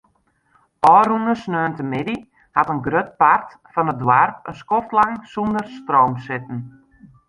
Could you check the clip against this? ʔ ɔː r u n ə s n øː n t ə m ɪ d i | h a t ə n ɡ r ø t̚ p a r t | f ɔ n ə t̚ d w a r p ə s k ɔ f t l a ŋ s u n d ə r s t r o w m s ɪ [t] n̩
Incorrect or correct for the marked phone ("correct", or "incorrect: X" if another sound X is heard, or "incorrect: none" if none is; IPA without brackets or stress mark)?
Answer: correct